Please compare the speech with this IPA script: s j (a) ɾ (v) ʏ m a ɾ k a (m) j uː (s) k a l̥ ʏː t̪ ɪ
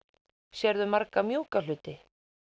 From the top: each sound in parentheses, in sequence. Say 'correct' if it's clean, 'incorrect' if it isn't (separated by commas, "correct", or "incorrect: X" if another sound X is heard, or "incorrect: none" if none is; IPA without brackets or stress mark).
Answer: incorrect: ɛ, incorrect: ð, correct, incorrect: none